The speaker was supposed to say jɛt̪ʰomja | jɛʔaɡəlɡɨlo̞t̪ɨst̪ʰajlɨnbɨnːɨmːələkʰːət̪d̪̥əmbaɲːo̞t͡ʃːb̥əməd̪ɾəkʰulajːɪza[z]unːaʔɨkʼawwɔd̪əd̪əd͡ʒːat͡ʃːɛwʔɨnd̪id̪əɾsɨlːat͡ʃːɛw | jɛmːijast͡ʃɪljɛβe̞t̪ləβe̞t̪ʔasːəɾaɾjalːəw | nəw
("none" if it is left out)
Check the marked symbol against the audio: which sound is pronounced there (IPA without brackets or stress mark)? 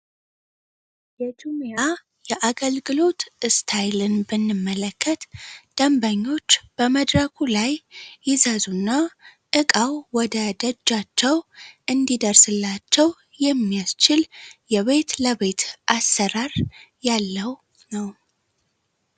z